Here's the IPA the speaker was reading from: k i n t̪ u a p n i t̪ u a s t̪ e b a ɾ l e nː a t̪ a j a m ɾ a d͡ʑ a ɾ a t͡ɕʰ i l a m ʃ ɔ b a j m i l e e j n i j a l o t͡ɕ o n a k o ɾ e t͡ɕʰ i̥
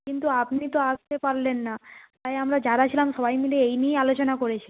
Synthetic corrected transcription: k i n t̪ u a p n i t̪ o a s t̪ e p a ɾ l e nː a t̪ a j a m ɾ a d͡ʑ a ɾ a t͡ɕʰ i l a m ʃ ɔ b a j m i l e e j n i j a l o t͡ɕ o n a k o ɾ e t͡ɕʰ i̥